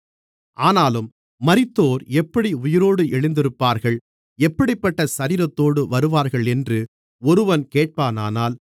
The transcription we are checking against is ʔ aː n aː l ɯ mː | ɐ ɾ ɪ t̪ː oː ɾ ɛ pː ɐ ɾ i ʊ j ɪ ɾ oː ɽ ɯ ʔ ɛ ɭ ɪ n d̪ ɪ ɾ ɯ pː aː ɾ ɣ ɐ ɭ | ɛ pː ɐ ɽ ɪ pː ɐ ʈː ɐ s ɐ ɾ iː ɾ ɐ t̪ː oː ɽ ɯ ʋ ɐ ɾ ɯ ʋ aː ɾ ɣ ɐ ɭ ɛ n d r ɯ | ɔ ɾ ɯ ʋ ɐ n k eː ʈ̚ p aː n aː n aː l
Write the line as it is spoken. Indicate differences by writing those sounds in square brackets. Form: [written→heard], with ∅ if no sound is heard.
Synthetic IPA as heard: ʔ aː n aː l ɯ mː | ɐ ɾ ɪ t̪ː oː ɾ ɛ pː ɐ [ɾ→ɽ] i ʊ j ɪ ɾ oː ɽ ɯ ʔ ɛ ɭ ɪ n d̪ ɪ ɾ ɯ pː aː ɾ ɣ ɐ ɭ | ɛ pː ɐ ɽ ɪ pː ɐ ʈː ɐ s ɐ ɾ iː ɾ ɐ t̪ː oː ɽ ɯ ʋ ɐ ɾ ɯ ʋ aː ɾ ɣ ɐ ɭ ɛ n d r ɯ | ɔ ɾ ɯ ʋ ɐ n k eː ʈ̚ p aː n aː n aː l